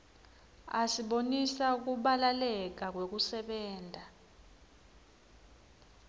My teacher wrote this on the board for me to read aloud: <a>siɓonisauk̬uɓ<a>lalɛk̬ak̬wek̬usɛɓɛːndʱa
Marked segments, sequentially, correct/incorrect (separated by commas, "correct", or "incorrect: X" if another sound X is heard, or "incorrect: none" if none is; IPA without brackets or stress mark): correct, correct